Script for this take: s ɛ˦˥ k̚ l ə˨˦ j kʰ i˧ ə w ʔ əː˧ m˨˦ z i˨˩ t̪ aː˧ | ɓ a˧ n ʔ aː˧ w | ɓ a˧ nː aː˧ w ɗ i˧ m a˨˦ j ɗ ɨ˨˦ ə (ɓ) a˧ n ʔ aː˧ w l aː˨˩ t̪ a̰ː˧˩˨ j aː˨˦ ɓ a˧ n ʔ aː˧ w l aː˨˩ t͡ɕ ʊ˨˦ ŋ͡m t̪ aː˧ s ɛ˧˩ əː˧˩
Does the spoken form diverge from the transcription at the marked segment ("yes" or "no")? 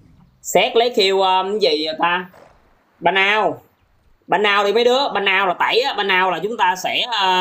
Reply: no